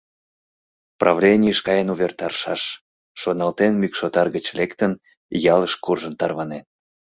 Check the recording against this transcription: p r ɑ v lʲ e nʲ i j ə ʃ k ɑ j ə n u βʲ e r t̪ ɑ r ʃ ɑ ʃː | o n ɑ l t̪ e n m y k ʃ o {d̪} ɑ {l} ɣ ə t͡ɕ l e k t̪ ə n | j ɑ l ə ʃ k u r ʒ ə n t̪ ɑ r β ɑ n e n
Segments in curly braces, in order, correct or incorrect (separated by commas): incorrect, incorrect